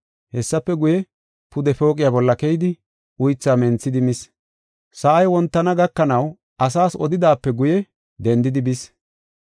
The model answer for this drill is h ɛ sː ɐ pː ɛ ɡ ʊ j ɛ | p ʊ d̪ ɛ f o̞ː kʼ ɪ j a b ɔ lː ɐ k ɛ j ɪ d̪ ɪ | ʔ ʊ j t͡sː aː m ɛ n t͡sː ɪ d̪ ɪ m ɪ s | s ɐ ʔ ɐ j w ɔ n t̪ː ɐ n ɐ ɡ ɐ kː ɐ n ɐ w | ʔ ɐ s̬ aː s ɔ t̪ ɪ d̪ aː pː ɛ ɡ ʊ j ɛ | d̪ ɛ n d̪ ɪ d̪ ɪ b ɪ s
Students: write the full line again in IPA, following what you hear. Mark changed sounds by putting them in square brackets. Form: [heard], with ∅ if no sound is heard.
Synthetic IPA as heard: h ɛ sː ɐ pː ɛ ɡ ʊ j ɛ | p ʊ d̪ ɛ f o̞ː kʼ ɪ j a b ɔ lː ɐ k ɛ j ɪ d̪ ɪ | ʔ ʊ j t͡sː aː m ɛ n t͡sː ɪ d̪ ɪ m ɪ s | s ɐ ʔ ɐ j w ɔ n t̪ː ɐ n ɐ ɡ ɐ kː ɐ n ɐ w | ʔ ɐ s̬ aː s ɔ [d̪] ɪ d̪ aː pː ɛ ɡ ʊ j ɛ | d̪ ɛ n d̪ ɪ d̪ ɪ b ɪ s